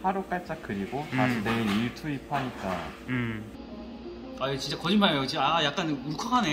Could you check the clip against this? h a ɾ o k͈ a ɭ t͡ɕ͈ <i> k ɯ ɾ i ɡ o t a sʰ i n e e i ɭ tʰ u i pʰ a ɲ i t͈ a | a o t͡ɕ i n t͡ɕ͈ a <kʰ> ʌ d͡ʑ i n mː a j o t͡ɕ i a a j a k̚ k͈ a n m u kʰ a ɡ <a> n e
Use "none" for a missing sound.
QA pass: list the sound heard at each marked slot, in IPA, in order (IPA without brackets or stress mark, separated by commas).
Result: a, k, a